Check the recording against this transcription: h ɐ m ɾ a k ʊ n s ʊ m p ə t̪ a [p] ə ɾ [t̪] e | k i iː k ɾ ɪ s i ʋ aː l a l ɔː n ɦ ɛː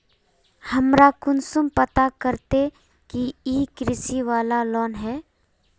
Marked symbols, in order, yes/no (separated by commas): no, yes